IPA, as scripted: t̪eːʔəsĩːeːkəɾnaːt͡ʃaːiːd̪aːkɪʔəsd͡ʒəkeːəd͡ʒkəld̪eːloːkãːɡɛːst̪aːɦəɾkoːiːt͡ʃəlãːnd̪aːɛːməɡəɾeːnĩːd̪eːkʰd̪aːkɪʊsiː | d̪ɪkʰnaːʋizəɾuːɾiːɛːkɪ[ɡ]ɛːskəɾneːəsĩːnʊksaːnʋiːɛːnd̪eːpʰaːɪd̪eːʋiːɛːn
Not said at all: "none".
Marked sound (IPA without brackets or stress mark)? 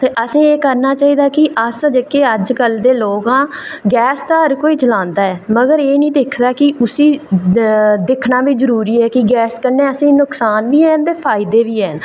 ɡ